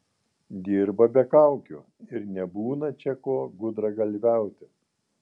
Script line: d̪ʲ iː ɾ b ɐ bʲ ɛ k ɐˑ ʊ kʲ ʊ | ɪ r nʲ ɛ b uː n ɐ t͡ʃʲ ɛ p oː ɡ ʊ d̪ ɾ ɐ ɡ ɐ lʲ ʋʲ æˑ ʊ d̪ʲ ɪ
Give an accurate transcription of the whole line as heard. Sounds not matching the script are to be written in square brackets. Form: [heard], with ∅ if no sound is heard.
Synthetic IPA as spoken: d̪ʲ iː ɾ b ɐ bʲ ɛ k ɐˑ ʊ kʲ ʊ | ɪ [ɾ] nʲ ɛ b uː n ɐ t͡ʃʲ ɛ [k] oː ɡ ʊ d̪ ɾ ɐ ɡ ɐ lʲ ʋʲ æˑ ʊ [t̪ʲ] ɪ